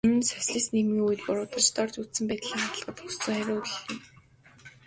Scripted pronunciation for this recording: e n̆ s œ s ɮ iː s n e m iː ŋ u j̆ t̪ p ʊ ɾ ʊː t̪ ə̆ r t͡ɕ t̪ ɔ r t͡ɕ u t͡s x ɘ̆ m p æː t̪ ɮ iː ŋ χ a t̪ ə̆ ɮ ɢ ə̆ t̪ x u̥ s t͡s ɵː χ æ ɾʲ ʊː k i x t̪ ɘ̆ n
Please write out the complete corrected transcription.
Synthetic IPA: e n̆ s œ s ɮ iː s n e m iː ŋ u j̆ t̪ p ʊ ɾ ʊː t̪ ə̆ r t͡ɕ t̪ ɔ r t͡ɕ u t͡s s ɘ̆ m p æː t̪ ɮ iː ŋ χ a t̪ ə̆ ɮ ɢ ə̆ t̪ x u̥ s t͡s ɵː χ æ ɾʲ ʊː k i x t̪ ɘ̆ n